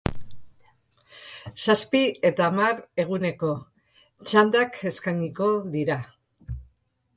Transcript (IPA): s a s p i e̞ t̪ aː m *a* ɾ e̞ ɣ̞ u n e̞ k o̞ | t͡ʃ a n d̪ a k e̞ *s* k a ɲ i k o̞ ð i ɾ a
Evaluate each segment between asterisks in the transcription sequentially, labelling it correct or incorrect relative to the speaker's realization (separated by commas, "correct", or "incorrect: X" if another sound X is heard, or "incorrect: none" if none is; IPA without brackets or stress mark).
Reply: correct, correct